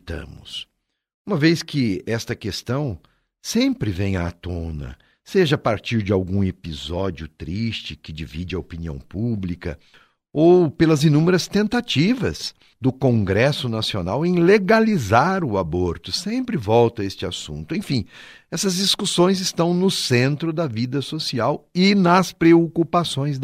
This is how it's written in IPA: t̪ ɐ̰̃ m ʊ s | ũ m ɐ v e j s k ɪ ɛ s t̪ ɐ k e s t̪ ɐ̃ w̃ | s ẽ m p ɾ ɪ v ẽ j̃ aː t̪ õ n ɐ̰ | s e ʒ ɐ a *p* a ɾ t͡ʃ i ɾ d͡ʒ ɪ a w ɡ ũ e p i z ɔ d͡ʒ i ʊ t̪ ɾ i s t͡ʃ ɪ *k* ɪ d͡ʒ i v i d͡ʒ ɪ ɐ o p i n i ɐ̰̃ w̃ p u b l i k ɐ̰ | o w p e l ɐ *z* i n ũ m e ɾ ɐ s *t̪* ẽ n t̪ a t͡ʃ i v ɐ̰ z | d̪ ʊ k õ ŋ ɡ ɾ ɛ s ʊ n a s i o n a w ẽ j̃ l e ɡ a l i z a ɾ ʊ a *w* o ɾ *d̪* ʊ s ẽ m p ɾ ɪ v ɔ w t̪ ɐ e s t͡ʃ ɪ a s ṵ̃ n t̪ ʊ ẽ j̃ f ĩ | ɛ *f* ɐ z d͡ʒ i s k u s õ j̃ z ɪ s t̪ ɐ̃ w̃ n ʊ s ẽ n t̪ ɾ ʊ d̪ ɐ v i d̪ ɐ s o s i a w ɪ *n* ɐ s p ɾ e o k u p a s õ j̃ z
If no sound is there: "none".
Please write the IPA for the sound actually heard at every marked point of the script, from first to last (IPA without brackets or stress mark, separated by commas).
p, k, z, t̪, b, t̪, s, n